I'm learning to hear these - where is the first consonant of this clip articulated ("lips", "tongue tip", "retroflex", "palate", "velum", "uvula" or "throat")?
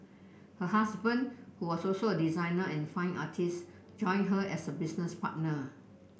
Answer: throat